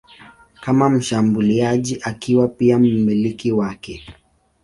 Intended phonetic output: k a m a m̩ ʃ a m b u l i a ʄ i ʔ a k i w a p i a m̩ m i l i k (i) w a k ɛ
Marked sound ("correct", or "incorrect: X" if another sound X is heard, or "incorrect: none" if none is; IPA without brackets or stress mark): correct